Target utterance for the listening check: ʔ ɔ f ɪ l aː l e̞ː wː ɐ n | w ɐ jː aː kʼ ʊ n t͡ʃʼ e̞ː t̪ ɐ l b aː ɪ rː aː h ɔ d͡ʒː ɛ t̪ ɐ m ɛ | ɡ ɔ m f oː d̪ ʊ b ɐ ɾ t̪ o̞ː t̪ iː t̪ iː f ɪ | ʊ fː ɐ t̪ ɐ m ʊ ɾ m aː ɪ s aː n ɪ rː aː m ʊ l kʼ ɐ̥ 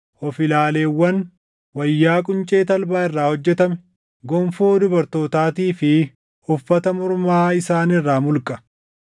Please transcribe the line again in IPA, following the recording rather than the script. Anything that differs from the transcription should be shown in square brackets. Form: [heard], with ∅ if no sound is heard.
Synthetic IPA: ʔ ɔ f ɪ l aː l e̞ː wː ɐ n | w ɐ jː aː kʼ ʊ n t͡ʃʼ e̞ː t̪ ɐ l b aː ɪ rː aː h ɔ d͡ʒː ɛ t̪ ɐ m ɛ | ɡ ɔ m f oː d̪ ʊ b ɐ ɾ t̪ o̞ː t̪ [aː] t̪ iː f ɪ | ʊ fː ɐ t̪ ɐ m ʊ ɾ m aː ɪ s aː n ɪ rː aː m ʊ l kʼ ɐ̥

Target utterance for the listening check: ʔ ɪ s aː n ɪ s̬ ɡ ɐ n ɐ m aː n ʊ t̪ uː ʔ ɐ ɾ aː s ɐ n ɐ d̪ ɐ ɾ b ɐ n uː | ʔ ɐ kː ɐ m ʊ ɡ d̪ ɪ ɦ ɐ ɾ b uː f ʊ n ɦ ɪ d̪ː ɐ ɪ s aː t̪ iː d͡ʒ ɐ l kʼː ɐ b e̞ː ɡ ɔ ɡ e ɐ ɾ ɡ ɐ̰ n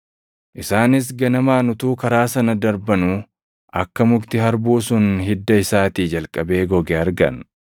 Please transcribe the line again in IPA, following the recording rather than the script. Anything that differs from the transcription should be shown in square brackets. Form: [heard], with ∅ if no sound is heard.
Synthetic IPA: ʔ ɪ s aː n ɪ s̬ ɡ ɐ n ɐ m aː n ʊ t̪ uː [k] ɐ ɾ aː s ɐ n ɐ d̪ ɐ ɾ b ɐ n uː | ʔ ɐ kː ɐ m ʊ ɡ [t̪] ɪ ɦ ɐ ɾ b uː [s] ʊ n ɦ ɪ d̪ː ɐ ɪ s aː t̪ iː d͡ʒ ɐ l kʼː ɐ b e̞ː ɡ ɔ ɡ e ɐ ɾ ɡ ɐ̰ n

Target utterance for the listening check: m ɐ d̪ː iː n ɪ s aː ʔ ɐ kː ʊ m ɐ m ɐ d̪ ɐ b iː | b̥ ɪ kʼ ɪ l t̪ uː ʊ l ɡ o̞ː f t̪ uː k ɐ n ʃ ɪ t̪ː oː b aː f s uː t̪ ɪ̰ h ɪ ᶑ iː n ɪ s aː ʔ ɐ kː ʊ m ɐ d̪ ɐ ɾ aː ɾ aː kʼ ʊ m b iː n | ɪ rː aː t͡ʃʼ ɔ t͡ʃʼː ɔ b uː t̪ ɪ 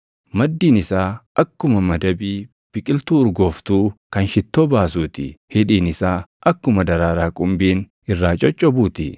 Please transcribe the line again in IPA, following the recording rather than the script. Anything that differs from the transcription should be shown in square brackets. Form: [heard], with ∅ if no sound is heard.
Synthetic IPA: m ɐ d̪ː iː n ɪ s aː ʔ ɐ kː ʊ m ɐ m ɐ d̪ ɐ b iː | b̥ ɪ kʼ ɪ l t̪ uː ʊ [ɾ] ɡ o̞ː f t̪ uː k ɐ n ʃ ɪ t̪ː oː b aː [∅] s uː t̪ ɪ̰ h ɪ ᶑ iː n ɪ s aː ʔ ɐ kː ʊ m ɐ d̪ ɐ ɾ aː ɾ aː kʼ ʊ m b iː n | ɪ rː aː t͡ʃʼ ɔ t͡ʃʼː ɔ b uː t̪ ɪ

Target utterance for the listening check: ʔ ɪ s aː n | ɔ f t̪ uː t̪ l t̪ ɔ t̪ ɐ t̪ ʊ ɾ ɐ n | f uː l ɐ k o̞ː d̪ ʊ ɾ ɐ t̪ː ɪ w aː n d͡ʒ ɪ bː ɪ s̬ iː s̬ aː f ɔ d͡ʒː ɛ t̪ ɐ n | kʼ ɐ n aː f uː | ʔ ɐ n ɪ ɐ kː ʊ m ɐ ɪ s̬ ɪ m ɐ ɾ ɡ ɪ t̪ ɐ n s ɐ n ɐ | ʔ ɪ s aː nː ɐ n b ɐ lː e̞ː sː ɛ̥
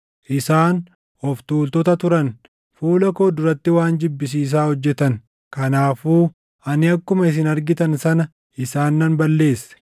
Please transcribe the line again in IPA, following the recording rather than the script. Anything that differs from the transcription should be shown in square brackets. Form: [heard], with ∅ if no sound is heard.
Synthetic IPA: ʔ ɪ s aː n | ɔ f t̪ uː [∅] l t̪ ɔ t̪ ɐ t̪ ʊ ɾ ɐ n | f uː l ɐ k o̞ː d̪ ʊ ɾ ɐ t̪ː ɪ w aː n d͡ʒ ɪ bː ɪ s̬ iː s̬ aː [h] ɔ d͡ʒː ɛ t̪ ɐ n | [k] ɐ n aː f uː | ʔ ɐ n ɪ ɐ kː ʊ m ɐ ɪ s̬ ɪ [n] ɐ ɾ ɡ ɪ t̪ ɐ n s ɐ n ɐ | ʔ ɪ s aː nː ɐ n b ɐ lː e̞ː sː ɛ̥

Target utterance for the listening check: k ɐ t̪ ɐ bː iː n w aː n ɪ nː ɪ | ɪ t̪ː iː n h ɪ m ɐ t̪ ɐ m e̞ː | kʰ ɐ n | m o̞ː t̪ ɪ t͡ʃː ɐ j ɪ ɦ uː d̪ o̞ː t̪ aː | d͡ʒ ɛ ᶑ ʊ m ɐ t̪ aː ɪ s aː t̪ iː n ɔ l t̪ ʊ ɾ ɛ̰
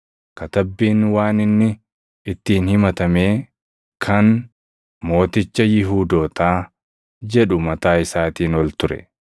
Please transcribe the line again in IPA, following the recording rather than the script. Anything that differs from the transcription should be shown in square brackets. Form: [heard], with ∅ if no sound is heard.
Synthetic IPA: k ɐ t̪ ɐ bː iː n w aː n ɪ nː ɪ | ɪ t̪ː iː n h ɪ m ɐ t̪ ɐ m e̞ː | kʰ ɐ n | m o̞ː t̪ ɪ t͡ʃː ɐ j ɪ ɦ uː d̪ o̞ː t̪ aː | d͡ʒ ɛ ᶑ ʊ m ɐ t̪ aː ɪ s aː t̪ iː n ɔ l t̪ ʊ ɾ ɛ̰

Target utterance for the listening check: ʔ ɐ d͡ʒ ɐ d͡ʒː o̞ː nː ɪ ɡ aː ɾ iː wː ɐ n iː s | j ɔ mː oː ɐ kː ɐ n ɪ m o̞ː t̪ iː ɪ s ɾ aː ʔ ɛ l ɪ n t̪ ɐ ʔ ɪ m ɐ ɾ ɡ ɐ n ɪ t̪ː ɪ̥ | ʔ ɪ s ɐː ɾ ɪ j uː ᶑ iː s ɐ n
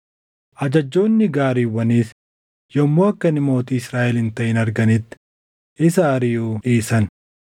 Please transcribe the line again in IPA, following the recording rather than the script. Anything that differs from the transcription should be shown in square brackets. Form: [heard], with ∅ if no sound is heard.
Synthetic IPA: ʔ ɐ d͡ʒ ɐ d͡ʒː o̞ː nː ɪ ɡ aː ɾ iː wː ɐ n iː s | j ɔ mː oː ɐ kː ɐ n ɪ m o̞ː t̪ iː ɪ s ɾ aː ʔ ɛ l ɪ n t̪ ɐ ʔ ɪ [n] ɐ ɾ ɡ ɐ n ɪ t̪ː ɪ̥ | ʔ ɪ s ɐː ɾ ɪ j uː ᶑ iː s ɐ n

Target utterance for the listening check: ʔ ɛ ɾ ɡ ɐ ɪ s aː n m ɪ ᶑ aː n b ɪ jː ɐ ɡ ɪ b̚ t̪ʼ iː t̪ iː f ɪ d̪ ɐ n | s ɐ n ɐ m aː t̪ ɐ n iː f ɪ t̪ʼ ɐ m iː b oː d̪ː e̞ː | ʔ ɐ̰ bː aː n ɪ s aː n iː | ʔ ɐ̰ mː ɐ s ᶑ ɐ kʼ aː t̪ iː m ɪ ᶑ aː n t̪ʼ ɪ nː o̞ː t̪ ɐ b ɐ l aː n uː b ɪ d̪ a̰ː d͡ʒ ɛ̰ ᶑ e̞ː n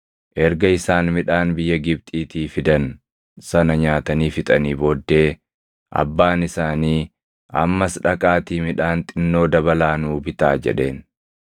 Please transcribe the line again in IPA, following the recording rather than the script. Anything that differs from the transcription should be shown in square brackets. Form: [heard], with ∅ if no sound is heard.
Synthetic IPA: ʔ ɛ ɾ ɡ ɐ ɪ s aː n m ɪ ᶑ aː n b ɪ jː ɐ ɡ ɪ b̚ t̪ʼ iː t̪ iː f ɪ d̪ ɐ n | s ɐ n ɐ [ɲ] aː t̪ ɐ n iː f ɪ t̪ʼ ɐ [n] iː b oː d̪ː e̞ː | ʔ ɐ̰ bː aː n ɪ s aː n iː | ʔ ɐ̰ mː ɐ s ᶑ ɐ kʼ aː t̪ iː m ɪ ᶑ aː n t̪ʼ ɪ nː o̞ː [d̪] ɐ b ɐ l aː n uː b ɪ [t̪] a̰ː d͡ʒ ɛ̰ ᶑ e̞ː n

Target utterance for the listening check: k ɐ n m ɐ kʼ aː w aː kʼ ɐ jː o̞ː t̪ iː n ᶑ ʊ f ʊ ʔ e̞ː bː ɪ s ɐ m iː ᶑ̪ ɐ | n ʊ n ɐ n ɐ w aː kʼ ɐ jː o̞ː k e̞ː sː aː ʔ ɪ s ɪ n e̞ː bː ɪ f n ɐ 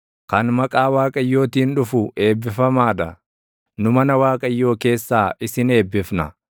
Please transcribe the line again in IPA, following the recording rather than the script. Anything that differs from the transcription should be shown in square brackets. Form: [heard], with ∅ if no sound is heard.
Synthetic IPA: k ɐ n m ɐ kʼ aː w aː kʼ ɐ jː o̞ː t̪ iː n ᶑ ʊ f ʊ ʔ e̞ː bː ɪ [f] ɐ m [aː] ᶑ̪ ɐ | n ʊ [m] ɐ n ɐ w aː kʼ ɐ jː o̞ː k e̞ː sː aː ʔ ɪ s ɪ n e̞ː bː ɪ f n ɐ

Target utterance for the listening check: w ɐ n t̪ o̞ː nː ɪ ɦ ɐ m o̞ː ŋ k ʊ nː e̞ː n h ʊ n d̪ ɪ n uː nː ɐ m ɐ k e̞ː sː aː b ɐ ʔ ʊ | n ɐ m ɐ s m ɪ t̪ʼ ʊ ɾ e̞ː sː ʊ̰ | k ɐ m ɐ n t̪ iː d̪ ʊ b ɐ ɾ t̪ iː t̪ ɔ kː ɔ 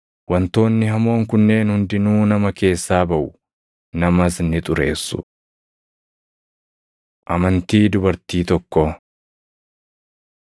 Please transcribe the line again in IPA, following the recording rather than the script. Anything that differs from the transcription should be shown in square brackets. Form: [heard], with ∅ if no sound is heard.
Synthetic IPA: w ɐ n t̪ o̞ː nː ɪ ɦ ɐ m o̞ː ŋ k ʊ nː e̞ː n h ʊ n d̪ ɪ n uː [n] ɐ m ɐ k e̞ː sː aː b ɐ ʔ ʊ | n ɐ m ɐ s [n] ɪ t̪ʼ ʊ ɾ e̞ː sː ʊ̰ | [ʔ] ɐ m ɐ n t̪ iː d̪ ʊ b ɐ ɾ t̪ iː t̪ ɔ kː ɔ

